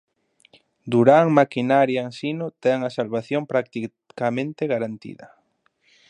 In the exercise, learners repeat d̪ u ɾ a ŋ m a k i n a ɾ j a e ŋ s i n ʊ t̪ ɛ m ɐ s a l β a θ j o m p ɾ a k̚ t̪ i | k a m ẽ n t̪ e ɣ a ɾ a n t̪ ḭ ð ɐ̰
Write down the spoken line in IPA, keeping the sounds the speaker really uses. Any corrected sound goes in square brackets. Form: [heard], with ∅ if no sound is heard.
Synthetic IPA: d̪ u ɾ a ŋ m a k i n a ɾ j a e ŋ s i n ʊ t̪ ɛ [ŋ] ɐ s a l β a θ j o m p ɾ a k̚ t̪ i | k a m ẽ n t̪ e ɣ a ɾ a n t̪ ḭ ð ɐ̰